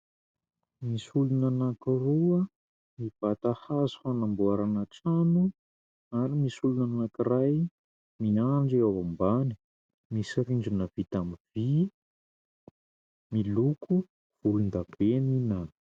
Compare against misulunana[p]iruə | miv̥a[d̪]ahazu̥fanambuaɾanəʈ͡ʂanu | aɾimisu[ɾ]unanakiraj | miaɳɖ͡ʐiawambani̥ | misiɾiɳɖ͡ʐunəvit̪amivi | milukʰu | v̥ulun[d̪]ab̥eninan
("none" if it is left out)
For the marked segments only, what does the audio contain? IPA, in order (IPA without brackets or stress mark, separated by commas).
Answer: k, t̪, l, d̪